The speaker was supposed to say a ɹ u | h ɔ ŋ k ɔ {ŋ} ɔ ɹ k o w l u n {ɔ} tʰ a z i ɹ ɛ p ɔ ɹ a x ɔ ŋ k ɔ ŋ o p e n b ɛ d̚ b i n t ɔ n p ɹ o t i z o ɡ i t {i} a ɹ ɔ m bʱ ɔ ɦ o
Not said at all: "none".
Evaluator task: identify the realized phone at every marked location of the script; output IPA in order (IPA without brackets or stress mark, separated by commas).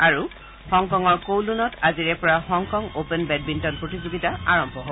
ŋ, ɔ, a